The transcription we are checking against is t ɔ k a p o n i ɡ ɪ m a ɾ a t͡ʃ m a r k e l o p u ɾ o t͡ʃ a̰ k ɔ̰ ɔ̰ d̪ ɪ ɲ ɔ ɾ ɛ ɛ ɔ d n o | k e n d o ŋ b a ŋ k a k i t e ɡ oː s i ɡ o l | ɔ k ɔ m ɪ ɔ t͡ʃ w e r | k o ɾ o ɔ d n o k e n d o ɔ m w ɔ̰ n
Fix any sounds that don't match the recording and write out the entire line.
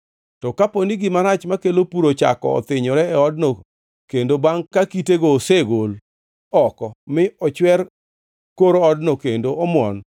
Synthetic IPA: t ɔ k a p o n i ɡ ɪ m a ɾ a t͡ʃ m a k e l o p u ɾ o t͡ʃ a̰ k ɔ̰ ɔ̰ t̪ ɪ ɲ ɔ ɾ ɛ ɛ ɔ d n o | k e n d o b a ŋ k a k i t e ɡ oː s e ɡ o l | ɔ k ɔ m ɪ ɔ t͡ʃ w ɛ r | k o ɾ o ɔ d n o k e n d o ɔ m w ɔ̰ n